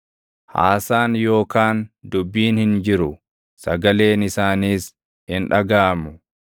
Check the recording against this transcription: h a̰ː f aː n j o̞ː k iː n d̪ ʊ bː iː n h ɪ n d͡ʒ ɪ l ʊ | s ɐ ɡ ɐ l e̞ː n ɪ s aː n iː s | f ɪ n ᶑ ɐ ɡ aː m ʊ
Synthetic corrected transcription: h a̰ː s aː n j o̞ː k aː n d̪ ʊ bː iː n h ɪ n d͡ʒ ɪ ɾ ʊ | s ɐ ɡ ɐ l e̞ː n ɪ s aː n iː s | h ɪ n ᶑ ɐ ɡ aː m ʊ